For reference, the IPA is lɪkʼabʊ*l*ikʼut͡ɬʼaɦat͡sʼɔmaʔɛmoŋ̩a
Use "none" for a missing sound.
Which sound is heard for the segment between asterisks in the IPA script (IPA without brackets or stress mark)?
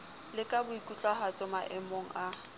none